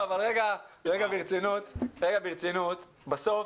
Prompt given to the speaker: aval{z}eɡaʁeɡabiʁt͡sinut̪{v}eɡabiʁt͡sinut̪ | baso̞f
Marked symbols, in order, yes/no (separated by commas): no, no